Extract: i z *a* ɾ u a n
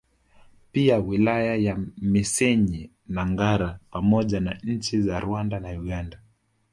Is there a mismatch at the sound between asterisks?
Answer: no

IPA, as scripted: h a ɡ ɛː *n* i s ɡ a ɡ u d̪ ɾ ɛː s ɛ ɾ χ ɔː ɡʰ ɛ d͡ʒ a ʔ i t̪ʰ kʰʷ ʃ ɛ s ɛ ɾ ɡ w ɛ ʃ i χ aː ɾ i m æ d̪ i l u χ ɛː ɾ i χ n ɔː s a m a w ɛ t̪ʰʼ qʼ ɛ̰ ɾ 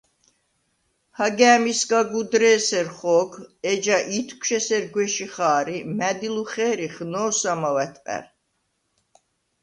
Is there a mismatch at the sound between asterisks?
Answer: yes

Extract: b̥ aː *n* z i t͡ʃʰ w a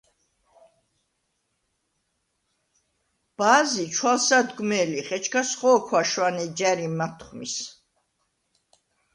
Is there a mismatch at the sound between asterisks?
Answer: yes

